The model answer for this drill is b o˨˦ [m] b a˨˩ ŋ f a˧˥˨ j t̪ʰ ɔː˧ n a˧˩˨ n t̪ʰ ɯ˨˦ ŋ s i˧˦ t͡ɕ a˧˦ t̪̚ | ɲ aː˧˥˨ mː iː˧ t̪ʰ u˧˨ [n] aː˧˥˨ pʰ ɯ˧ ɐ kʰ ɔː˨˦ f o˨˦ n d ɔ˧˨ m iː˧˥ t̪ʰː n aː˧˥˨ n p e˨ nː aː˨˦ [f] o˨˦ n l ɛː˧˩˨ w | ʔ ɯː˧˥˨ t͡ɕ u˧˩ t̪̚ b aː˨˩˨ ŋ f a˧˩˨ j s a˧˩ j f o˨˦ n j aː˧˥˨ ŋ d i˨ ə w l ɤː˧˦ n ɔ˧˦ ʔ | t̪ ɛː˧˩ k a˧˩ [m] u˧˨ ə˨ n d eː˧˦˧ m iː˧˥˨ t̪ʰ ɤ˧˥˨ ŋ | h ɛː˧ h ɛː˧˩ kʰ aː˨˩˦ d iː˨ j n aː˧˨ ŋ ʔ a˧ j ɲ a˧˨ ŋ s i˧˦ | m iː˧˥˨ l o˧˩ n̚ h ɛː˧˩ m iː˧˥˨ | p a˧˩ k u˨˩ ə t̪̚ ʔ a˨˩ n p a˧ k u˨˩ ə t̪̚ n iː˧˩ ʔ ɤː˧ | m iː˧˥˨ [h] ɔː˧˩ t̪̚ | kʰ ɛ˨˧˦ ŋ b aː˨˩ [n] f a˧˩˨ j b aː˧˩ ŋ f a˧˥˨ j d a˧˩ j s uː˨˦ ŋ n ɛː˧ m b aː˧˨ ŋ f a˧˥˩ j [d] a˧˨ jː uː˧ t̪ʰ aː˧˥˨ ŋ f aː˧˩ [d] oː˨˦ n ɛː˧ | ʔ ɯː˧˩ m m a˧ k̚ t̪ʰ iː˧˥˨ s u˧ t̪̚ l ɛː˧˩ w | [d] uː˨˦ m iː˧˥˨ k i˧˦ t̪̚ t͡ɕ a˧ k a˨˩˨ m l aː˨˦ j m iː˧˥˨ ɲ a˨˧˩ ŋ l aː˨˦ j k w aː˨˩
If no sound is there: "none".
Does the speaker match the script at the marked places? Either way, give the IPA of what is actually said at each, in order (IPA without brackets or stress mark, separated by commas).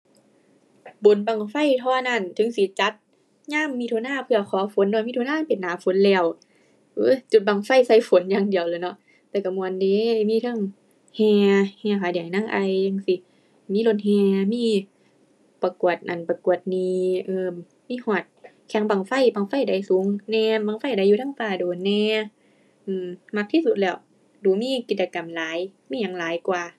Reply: n, n, f, m, h, ŋ, d, d, d